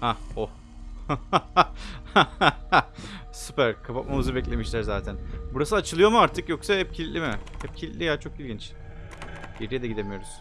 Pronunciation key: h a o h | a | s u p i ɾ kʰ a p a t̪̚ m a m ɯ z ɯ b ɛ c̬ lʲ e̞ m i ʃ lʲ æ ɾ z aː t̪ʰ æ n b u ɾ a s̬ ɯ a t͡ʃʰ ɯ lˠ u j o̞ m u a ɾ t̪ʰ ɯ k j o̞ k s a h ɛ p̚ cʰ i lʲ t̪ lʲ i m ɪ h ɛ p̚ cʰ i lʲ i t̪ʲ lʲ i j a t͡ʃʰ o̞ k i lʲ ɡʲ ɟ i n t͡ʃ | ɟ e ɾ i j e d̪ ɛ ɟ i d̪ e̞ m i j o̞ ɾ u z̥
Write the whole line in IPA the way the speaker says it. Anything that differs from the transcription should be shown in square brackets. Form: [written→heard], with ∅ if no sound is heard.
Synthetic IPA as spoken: h a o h | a | s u p [i→æ] ɾ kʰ a p a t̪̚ m a m ɯ z ɯ b ɛ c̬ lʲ e̞ m i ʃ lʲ æ ɾ z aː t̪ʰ æ n b u ɾ a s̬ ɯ a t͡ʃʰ ɯ lˠ [u→ɯ] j o̞ m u a ɾ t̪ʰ ɯ k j o̞ k s a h ɛ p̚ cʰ i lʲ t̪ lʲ i m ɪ h ɛ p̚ cʰ i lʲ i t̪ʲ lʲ i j a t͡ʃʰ o̞ k i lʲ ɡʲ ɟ i n t͡ʃ | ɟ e ɾ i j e d̪ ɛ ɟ i d̪ e̞ m i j o̞ ɾ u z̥